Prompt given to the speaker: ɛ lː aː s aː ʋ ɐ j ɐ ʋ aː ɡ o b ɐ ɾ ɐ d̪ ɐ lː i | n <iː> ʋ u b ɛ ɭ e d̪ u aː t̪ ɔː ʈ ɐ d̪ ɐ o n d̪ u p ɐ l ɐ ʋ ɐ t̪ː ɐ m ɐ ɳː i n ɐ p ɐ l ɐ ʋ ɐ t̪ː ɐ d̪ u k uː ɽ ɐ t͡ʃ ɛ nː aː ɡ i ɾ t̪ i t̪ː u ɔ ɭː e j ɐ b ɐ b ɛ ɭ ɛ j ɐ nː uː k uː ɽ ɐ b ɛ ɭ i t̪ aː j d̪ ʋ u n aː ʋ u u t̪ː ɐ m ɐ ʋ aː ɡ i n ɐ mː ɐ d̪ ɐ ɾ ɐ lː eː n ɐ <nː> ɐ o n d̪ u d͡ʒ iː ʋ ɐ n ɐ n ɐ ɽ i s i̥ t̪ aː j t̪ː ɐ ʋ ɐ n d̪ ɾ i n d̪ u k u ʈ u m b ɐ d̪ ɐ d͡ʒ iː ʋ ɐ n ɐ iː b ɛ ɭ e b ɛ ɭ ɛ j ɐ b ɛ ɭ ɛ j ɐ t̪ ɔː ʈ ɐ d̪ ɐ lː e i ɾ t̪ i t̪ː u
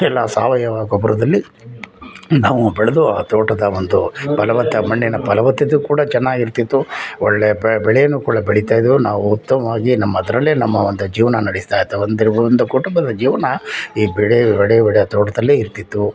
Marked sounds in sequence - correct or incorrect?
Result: incorrect: aː, incorrect: mː

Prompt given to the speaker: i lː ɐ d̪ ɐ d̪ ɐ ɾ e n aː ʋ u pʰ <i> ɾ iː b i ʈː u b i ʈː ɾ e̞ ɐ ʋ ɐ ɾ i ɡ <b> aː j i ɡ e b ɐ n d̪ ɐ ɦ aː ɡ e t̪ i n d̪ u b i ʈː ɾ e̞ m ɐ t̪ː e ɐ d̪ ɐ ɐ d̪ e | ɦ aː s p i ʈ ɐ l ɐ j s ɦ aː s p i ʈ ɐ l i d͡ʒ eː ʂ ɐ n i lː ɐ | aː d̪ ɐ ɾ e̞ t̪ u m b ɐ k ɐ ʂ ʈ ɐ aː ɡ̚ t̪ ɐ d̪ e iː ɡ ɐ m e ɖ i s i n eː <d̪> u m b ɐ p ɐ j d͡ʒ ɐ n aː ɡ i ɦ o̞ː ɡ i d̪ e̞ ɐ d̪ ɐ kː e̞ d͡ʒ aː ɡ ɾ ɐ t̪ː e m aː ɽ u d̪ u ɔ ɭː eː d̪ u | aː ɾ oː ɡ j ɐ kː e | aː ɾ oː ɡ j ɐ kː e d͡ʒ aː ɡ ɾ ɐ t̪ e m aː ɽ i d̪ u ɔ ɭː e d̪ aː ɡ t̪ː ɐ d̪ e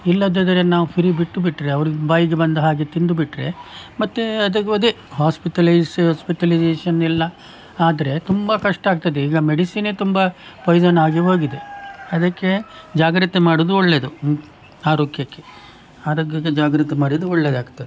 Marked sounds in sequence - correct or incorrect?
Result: correct, correct, incorrect: t̪

